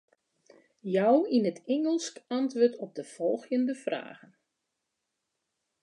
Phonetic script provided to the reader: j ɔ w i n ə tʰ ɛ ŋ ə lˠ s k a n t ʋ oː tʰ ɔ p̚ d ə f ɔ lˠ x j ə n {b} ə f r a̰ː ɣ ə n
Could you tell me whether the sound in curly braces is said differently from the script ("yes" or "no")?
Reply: yes